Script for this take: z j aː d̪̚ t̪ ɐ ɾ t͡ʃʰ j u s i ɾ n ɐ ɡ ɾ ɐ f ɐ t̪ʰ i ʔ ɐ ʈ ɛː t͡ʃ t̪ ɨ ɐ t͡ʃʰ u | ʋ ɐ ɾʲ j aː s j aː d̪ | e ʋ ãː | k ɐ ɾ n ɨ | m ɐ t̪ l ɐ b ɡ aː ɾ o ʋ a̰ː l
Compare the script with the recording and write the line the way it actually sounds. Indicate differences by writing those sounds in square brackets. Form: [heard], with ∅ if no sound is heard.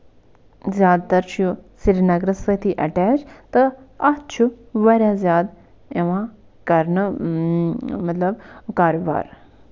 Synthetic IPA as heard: z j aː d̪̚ t̪ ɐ ɾ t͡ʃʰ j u s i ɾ n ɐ ɡ ɾ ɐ [s] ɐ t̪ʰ i ʔ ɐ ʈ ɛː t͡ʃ t̪ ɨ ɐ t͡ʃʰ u | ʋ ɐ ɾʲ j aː [z] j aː d̪ | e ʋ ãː | k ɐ ɾ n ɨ | m ɐ t̪ l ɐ b [k] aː ɾ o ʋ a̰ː [ɾ]